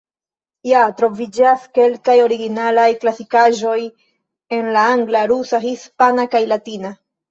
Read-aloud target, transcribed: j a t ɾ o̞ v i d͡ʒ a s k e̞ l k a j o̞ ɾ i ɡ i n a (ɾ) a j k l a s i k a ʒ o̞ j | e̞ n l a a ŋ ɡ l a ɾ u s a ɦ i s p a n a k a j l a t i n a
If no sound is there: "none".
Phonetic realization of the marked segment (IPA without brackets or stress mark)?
l